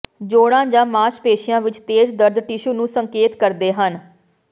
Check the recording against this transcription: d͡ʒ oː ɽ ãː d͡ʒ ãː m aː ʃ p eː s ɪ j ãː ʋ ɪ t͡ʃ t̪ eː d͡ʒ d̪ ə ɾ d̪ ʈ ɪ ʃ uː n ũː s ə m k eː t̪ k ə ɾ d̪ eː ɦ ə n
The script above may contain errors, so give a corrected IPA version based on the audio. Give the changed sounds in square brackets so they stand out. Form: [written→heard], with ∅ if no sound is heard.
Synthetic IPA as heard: d͡ʒ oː ɽ ãː d͡ʒ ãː m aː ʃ p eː [s→ʃ] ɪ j ãː ʋ ɪ t͡ʃ t̪ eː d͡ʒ d̪ ə ɾ d̪ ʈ ɪ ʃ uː n ũː s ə [m→ŋ] k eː t̪ k ə ɾ d̪ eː ɦ ə n